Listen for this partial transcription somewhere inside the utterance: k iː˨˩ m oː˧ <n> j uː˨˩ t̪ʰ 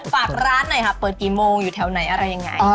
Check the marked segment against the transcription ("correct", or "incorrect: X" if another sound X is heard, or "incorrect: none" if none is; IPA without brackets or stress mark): incorrect: ŋ